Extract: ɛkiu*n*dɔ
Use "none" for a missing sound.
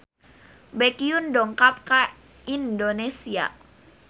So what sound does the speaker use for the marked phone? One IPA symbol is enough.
n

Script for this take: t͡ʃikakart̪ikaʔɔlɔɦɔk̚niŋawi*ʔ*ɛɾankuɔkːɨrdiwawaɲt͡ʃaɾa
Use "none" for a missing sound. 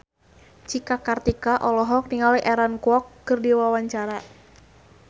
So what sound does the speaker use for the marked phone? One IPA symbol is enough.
ʔ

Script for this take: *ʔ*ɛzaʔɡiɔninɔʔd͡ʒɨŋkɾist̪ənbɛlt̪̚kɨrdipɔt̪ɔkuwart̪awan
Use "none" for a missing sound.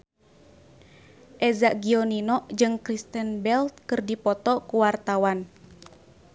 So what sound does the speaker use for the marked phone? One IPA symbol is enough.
ʔ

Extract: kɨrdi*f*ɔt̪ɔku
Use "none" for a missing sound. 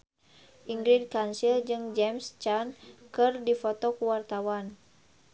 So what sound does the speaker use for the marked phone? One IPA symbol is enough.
f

